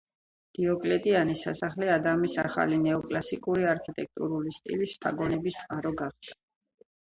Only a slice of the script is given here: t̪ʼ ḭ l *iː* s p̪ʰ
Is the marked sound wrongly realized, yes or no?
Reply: yes